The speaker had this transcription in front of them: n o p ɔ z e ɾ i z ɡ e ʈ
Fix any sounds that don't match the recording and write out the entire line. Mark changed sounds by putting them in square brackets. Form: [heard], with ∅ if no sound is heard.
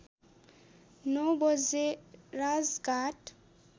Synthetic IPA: n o [b] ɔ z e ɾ [a] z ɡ [a] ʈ